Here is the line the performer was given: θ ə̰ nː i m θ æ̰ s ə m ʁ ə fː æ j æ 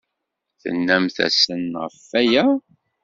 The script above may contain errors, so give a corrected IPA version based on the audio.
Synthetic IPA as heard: θ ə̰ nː æ m θ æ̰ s ə n ʁ ə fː æ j æ

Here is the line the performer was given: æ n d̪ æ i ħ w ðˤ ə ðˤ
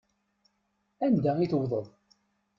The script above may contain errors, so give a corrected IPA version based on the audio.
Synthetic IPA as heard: æ n d̪ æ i θ w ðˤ ə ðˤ

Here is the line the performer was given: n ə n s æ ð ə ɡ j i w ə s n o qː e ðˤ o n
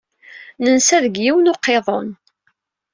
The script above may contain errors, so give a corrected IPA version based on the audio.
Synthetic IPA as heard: n ə n s æ ð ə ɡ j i w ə n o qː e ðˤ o n

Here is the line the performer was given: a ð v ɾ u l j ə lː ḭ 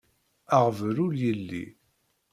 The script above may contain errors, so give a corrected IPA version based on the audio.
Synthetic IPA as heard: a ʁ v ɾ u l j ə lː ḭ

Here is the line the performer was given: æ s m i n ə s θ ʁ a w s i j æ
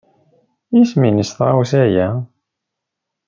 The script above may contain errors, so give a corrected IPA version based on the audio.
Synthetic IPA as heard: i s m i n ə s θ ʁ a w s æ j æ

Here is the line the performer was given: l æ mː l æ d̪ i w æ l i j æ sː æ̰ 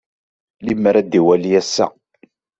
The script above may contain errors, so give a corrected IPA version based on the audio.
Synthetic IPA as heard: l i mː ɾ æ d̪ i w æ l i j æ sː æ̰

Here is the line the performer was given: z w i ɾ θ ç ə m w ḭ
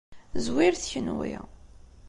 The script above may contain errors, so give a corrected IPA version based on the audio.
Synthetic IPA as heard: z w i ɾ θ ç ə n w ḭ

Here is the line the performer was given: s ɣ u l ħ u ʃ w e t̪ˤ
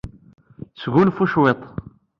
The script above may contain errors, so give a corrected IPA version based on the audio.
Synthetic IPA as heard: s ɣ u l f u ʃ w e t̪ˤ

